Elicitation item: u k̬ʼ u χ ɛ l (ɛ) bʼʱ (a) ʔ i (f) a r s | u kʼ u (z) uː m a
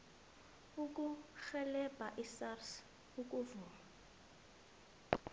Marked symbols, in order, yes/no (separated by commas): yes, yes, no, no